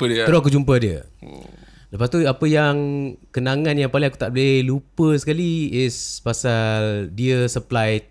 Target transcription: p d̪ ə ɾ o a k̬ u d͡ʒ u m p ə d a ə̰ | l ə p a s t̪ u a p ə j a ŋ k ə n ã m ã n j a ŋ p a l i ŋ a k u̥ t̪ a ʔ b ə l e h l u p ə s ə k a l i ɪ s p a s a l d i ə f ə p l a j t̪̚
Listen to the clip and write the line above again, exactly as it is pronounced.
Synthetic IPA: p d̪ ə ɾ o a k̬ u d͡ʒ u m p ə d i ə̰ | l ə p a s t̪ u a p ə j a ŋ k ə n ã ŋ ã n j a ŋ p a l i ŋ a k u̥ t̪ a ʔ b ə l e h l u p ə s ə k a l i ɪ s p a s a l d i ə s ə p l a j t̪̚